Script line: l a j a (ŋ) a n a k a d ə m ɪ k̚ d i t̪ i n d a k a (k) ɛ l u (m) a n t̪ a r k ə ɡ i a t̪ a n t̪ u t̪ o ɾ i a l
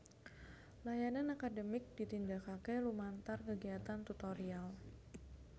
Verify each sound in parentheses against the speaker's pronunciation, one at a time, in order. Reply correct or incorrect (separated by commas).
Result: incorrect, correct, correct